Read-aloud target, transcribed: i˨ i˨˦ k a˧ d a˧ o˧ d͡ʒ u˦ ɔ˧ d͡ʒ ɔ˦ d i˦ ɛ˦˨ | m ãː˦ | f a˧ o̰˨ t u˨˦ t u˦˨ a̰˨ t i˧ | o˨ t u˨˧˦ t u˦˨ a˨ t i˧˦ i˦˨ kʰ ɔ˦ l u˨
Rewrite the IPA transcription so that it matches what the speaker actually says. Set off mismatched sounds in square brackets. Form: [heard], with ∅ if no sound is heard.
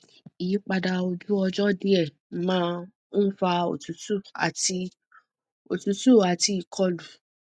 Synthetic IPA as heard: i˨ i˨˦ [k͡p] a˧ d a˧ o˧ d͡ʒ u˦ ɔ˧ d͡ʒ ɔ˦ d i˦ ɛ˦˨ | m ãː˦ | f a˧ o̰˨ t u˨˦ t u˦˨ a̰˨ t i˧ | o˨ t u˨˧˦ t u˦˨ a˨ t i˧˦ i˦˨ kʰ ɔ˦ l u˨